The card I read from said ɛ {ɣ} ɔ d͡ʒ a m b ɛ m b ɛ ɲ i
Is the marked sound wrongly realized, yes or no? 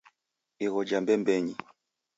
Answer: no